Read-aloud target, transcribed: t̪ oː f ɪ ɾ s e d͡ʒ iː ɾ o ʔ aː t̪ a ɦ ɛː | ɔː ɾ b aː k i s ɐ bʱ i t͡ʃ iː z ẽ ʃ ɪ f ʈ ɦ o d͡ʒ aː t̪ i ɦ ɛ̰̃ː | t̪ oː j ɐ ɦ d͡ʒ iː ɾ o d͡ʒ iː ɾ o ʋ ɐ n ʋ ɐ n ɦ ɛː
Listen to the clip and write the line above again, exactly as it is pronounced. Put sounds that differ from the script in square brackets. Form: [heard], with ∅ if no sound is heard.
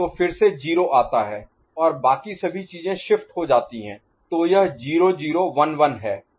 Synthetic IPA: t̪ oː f ɪ ɾ s e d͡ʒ iː ɾ o ʔ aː t̪ a ɦ ɛː | ɔː ɾ b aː k i s ɐ bʱ i t͡ʃ iː z ẽ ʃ ɪ f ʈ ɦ o d͡ʒ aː t̪ i ɦ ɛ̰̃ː | t̪ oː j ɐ ɦ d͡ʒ iː ɾ o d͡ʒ iː ɾ o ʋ ɐ n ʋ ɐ n ɦ ɛː

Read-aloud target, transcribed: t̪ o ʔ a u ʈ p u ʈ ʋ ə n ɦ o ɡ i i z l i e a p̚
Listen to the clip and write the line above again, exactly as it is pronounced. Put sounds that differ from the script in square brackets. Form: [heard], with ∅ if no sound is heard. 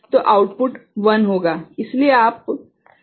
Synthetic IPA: t̪ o ʔ a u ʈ p u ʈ ʋ ə n ɦ o ɡ [a] i [s] l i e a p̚

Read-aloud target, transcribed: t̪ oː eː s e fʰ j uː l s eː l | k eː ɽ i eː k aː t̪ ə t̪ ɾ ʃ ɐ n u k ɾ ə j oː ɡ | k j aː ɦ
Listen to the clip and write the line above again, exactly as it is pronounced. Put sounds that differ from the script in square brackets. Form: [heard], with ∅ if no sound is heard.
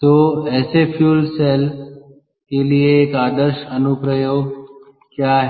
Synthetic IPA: t̪ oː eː s e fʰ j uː l s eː l | k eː [l] i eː k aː [d̪] ə [∅] ɾ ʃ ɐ n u [p] ɾ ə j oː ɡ | k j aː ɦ

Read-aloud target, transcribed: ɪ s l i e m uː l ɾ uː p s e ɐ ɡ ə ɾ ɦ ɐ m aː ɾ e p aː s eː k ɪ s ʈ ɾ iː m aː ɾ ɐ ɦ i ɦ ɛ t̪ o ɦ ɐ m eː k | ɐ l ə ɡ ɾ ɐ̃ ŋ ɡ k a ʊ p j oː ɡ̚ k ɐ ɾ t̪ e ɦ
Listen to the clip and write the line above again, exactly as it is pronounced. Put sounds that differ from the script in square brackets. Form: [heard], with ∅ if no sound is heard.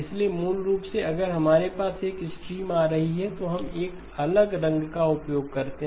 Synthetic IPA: ɪ s l i e m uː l ɾ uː p s e ɐ ɡ ə ɾ ɦ ɐ m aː ɾ e p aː s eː k ɪ s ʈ ɾ iː m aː ɾ ɐ ɦ i ɦ ɛ t̪ o ɦ ɐ m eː k | ɐ l ə ɡ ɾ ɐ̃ ŋ ɡ k a ʊ p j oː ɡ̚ k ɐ ɾ t̪ e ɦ

